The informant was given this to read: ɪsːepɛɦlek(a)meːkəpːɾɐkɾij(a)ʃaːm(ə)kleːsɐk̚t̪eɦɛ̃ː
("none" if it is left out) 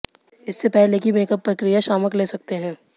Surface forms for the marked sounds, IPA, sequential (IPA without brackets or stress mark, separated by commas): i, a, ə